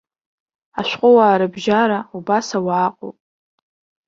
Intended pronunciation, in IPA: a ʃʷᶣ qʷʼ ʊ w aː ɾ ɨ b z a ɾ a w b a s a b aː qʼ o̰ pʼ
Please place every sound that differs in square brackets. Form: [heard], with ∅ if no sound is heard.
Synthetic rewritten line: a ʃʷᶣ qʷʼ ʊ w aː ɾ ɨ b [ʒ] a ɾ a [u] b a s a [w] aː qʼ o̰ pʼ

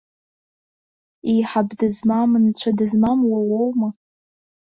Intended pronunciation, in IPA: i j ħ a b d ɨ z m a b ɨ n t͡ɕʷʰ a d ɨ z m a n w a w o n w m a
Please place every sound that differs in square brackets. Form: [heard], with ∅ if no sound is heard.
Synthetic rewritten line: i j ħ a b d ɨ z m a [m] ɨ n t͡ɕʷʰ a d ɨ z m a [m] w a w o [∅] w m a

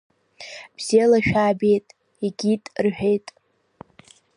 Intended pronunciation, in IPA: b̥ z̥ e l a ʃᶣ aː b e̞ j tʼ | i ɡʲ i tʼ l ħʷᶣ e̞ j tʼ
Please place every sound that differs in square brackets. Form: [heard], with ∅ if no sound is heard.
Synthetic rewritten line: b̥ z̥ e l a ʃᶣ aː b e̞ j tʼ | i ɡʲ i tʼ [r] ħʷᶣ e̞ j tʼ

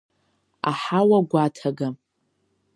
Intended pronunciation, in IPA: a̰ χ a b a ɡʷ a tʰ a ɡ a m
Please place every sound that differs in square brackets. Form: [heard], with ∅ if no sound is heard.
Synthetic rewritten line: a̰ [ħ] a [w] a ɡʷ a tʰ a ɡ a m

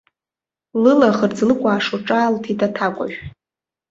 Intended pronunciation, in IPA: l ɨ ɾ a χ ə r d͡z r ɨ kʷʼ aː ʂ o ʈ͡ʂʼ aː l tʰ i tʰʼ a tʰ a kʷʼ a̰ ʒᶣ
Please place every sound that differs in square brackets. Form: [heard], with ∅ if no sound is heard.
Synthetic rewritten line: l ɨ [l] a χ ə r d͡z [l] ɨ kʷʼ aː ʂ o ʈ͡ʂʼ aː l tʰ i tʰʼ a tʰ a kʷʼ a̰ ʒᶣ

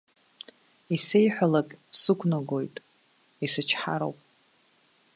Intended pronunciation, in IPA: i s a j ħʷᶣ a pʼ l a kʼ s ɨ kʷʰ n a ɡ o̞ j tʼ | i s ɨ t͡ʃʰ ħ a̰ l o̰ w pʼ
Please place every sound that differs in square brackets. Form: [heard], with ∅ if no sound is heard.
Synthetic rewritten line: i s [e] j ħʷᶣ a [∅] l a kʼ s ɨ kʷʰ n a ɡ o̞ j tʼ | i s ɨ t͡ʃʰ ħ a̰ [ɾ] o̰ w pʼ

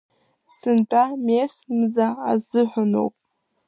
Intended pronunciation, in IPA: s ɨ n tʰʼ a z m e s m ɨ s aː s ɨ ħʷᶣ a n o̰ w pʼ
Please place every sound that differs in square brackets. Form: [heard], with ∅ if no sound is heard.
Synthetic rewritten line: s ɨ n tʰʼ a [∅] m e s m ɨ [z] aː [z] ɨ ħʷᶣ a n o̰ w pʼ

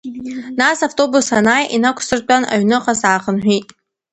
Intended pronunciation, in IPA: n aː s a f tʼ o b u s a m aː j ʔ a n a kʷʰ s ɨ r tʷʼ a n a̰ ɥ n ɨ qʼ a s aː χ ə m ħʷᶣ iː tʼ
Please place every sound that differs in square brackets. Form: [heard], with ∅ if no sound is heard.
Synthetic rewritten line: n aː s a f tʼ o b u s a [n] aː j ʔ [i] n a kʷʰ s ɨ r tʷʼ a n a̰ ɥ n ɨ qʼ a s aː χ ə [n] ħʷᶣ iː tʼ

